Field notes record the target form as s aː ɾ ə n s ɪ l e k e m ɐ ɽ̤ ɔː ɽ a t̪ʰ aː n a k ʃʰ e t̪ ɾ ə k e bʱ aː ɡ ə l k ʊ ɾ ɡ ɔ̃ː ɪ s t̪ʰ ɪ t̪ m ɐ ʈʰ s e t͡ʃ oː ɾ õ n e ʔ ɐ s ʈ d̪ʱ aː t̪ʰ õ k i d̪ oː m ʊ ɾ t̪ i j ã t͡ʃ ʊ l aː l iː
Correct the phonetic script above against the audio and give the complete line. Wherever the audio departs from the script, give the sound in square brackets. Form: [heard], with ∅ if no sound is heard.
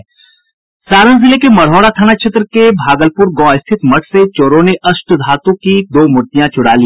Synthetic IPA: s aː ɾ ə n [z] ɪ l e k e m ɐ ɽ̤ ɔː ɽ a t̪ʰ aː n a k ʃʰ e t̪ ɾ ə k e bʱ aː ɡ ə l [p] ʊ ɾ ɡ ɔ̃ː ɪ s t̪ʰ ɪ t̪ m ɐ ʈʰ s e t͡ʃ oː ɾ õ n e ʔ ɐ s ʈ d̪ʱ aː [t̪] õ k i d̪ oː m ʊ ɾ t̪ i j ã t͡ʃ ʊ [ɽ] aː l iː

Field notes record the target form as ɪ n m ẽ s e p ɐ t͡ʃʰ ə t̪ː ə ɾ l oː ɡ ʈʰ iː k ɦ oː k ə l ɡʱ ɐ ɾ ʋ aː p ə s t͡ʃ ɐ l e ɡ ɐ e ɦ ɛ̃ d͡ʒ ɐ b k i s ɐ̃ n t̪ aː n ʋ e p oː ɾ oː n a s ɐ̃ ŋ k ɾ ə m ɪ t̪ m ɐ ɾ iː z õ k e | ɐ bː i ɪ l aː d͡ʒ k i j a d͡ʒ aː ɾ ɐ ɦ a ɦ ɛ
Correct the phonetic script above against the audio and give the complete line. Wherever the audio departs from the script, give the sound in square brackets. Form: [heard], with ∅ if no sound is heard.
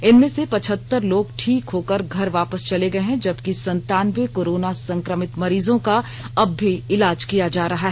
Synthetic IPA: ɪ n m ẽ s e p ɐ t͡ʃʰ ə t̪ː ə ɾ l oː ɡ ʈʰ iː k ɦ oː k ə [ɾ] ɡʱ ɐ ɾ ʋ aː p ə s t͡ʃ ɐ l e ɡ ɐ e ɦ ɛ̃ d͡ʒ ɐ b k i s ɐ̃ n t̪ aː n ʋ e [k] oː ɾ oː n a s ɐ̃ ŋ k ɾ ə m ɪ t̪ m ɐ ɾ iː z õ k [a] | ɐ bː i ɪ l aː d͡ʒ k i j a d͡ʒ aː ɾ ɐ ɦ a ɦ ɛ

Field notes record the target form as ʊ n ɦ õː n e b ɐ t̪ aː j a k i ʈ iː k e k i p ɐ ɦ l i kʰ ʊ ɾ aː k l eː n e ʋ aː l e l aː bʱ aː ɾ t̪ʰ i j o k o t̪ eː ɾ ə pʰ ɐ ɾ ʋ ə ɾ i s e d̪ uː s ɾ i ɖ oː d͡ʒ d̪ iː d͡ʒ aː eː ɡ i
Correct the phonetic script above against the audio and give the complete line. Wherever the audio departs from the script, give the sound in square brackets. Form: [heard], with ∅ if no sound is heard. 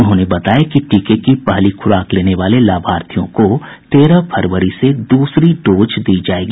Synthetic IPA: ʊ n ɦ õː n e b ɐ t̪ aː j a k i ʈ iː k e k i p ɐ ɦ l i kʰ ʊ ɾ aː k l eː n e ʋ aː l e l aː bʱ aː ɾ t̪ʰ i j [õ] k o t̪ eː ɾ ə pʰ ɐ ɾ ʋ ə ɾ i s e d̪ uː s ɾ i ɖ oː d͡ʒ d̪ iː d͡ʒ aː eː ɡ i

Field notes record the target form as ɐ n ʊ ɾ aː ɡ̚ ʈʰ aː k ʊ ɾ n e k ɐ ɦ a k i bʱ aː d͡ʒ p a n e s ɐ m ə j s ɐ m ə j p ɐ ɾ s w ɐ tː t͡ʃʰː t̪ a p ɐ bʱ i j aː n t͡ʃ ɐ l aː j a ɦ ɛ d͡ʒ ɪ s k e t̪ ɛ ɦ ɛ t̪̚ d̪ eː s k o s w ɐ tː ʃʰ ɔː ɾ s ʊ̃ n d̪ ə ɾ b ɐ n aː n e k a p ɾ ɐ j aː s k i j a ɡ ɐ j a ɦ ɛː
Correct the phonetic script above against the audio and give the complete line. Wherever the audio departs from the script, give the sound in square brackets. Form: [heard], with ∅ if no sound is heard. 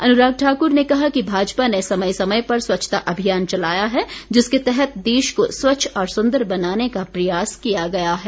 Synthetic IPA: ɐ n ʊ ɾ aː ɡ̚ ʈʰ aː k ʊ ɾ n e k ɐ ɦ a k i bʱ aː d͡ʒ p a n e s ɐ m ə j s ɐ m ə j p ɐ ɾ s w ɐ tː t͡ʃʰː t̪ a [ʔ] ɐ bʱ i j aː n t͡ʃ ɐ l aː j a ɦ ɛ d͡ʒ ɪ s k e t̪ ɛ ɦ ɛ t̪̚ d̪ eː [ʃ] k o s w ɐ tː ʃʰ ɔː ɾ s ʊ̃ n d̪ ə ɾ b ɐ n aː n e k a p ɾ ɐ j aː s k i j a ɡ ɐ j a ɦ ɛː

